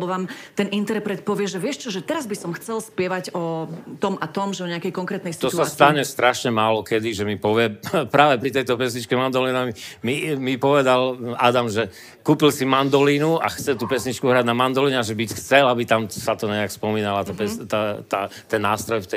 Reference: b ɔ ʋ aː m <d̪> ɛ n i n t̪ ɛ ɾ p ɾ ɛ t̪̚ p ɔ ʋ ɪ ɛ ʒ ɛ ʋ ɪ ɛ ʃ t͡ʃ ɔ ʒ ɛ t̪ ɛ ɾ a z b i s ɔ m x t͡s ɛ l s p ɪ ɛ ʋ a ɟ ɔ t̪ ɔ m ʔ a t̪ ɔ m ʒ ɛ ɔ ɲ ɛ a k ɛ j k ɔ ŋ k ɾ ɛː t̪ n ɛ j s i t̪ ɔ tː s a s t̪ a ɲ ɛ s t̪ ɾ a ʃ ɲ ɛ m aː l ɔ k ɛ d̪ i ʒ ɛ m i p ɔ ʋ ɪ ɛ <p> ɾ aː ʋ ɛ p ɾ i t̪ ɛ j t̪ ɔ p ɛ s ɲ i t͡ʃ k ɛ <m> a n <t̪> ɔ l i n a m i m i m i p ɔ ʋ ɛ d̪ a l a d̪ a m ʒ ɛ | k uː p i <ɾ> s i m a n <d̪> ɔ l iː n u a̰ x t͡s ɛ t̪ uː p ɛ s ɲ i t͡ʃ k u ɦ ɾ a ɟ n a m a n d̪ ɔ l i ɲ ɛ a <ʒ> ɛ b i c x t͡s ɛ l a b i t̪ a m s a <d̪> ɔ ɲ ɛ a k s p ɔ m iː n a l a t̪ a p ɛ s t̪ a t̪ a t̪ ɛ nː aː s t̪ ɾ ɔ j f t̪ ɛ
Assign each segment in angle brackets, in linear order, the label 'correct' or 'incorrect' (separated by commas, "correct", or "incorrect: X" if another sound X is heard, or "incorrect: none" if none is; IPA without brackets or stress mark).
incorrect: t̪, correct, correct, incorrect: d̪, incorrect: l, correct, correct, incorrect: t̪